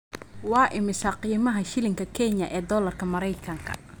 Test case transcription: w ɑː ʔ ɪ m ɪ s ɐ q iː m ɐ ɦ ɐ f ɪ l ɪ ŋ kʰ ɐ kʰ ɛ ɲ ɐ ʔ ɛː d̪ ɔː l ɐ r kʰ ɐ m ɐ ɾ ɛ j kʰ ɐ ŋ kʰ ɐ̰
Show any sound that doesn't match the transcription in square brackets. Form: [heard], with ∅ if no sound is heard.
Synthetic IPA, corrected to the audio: w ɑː ʔ ɪ m ɪ s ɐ q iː m ɐ ɦ ɐ [ʃ] ɪ l ɪ ŋ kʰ ɐ kʰ ɛ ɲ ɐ ʔ ɛː d̪ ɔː l ɐ r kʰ ɐ m ɐ ɾ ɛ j kʰ ɐ ŋ kʰ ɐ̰